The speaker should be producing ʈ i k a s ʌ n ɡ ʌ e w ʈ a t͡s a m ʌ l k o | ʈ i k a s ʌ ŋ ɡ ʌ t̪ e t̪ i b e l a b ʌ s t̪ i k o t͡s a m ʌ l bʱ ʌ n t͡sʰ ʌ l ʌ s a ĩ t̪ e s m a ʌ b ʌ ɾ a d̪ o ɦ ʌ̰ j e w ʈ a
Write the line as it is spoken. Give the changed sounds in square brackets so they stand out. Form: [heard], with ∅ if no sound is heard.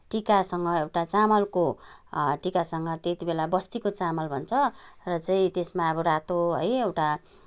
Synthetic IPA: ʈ i k a s ʌ [ŋ] ɡ ʌ e w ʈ a t͡s a m ʌ l k o | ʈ i k a s ʌ ŋ ɡ ʌ t̪ e t̪ i b e l a b ʌ s t̪ i k o t͡s a m ʌ l bʱ ʌ n t͡sʰ ʌ [r] ʌ [t͡s] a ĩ t̪ e s m a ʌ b ʌ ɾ a [t̪] o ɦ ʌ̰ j e w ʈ a